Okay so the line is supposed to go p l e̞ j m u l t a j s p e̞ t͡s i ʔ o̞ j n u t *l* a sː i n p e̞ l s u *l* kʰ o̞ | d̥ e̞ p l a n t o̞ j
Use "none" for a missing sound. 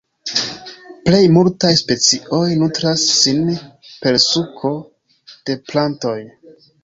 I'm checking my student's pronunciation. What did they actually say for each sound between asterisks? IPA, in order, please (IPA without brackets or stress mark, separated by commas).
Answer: ɾ, none